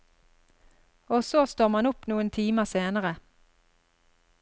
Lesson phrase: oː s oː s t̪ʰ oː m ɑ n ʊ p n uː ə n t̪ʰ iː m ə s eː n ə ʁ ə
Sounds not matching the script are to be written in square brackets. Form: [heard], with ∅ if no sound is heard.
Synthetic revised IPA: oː s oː s [t̪] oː m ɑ n ʊ p n uː ə n t̪ʰ iː m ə s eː n ə ʁ ə